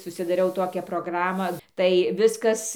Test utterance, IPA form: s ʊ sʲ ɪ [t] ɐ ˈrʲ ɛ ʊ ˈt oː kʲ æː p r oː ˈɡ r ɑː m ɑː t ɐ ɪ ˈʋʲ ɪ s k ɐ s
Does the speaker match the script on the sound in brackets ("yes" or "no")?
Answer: no